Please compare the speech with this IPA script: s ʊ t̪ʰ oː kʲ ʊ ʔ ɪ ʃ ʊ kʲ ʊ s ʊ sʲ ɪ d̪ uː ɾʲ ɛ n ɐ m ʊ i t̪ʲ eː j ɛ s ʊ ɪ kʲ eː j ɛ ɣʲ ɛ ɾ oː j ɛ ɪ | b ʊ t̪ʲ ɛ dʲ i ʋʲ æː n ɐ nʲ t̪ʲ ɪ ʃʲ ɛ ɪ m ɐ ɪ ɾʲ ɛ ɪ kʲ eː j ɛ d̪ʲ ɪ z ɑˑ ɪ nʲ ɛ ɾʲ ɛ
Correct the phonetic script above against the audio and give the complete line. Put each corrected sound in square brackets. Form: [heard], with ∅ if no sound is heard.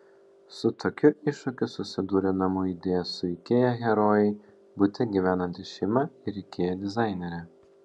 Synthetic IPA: s ʊ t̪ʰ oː kʲ ʊ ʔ ɪ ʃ ʊ kʲ ʊ s ʊ sʲ ɪ d̪ uː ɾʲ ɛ n ɐ m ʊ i [d̪ʲ] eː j ɛ s ʊ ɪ kʲ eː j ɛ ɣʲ ɛ ɾ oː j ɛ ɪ | b ʊ t̪ʲ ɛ [ɡʲ] i ʋʲ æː n ɐ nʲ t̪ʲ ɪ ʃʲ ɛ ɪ m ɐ ɪ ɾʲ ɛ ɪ kʲ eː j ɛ d̪ʲ ɪ z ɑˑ ɪ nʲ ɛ ɾʲ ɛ